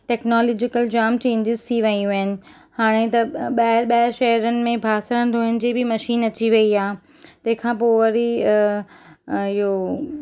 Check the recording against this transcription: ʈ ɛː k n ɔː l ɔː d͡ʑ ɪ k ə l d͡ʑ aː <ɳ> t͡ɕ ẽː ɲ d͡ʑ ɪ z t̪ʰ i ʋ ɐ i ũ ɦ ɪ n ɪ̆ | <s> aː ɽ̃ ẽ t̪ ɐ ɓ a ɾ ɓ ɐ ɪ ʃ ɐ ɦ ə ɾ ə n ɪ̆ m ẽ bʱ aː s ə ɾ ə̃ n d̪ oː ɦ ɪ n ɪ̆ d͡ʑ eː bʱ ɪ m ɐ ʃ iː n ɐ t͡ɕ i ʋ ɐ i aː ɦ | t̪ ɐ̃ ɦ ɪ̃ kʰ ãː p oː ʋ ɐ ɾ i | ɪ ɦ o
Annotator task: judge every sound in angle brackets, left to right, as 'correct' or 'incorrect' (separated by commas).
incorrect, incorrect